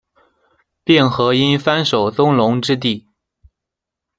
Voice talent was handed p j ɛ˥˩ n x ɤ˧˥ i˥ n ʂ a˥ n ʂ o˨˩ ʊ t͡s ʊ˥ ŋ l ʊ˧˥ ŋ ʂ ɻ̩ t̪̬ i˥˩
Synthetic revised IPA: p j ɛ˥˩ n x ɤ˧˥ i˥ n f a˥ n ʂ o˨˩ ʊ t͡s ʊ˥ ŋ l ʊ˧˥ ŋ ʈ͡ʂ ɻ̩ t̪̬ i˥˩